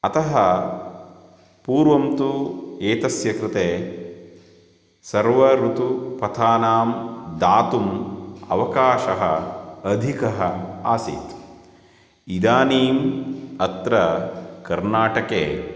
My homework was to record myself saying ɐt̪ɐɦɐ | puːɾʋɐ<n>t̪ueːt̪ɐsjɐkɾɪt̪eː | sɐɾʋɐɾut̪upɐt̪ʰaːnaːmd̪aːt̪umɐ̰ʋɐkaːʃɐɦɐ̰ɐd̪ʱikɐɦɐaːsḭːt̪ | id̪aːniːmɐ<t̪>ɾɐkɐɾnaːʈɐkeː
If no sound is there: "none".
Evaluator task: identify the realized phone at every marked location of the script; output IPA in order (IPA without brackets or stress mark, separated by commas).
m, t̪